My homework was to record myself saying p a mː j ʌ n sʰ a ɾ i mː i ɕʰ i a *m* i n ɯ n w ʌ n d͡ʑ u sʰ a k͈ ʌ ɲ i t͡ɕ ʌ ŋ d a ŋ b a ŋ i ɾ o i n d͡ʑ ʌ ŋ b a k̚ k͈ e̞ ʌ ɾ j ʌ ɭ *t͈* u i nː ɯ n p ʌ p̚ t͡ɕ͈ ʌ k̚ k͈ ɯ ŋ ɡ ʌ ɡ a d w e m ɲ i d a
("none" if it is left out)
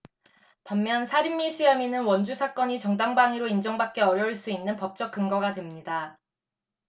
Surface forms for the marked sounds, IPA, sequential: m, s͈

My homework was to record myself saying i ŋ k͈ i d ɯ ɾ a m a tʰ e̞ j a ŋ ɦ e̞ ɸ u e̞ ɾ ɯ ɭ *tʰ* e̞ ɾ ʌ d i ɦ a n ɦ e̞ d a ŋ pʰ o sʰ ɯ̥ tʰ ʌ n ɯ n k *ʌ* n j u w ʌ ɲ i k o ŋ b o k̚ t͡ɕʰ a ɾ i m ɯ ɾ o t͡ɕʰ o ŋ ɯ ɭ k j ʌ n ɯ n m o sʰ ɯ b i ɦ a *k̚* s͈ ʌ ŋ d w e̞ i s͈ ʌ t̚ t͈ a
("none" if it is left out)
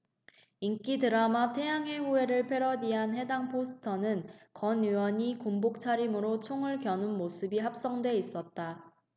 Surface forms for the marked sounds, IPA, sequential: pʰ, ʌ, p̚

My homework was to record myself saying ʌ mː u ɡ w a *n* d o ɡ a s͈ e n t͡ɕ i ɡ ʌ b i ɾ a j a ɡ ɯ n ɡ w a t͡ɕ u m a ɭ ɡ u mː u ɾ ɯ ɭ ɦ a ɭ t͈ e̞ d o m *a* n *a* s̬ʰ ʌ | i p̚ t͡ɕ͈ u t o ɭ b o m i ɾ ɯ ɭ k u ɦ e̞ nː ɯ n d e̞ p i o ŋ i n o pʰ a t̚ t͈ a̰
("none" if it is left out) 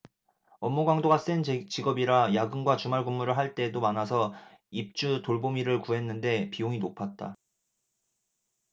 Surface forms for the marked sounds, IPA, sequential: ŋ, a, a

